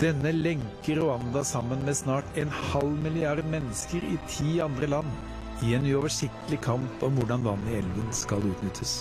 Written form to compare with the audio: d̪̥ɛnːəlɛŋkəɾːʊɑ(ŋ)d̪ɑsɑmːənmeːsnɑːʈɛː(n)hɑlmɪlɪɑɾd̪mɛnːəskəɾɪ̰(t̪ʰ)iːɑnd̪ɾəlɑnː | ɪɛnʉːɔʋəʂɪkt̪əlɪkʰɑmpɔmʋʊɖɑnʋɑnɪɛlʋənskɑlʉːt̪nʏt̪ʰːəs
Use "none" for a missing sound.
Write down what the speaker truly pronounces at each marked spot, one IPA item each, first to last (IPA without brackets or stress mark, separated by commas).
n, n, t̪ʰ